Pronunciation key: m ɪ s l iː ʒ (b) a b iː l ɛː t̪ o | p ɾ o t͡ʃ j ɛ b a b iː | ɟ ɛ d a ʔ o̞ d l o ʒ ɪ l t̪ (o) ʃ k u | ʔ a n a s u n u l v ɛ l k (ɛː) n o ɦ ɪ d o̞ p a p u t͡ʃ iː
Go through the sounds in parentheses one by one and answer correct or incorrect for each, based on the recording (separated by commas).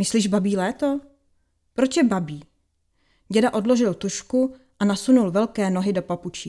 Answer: correct, incorrect, correct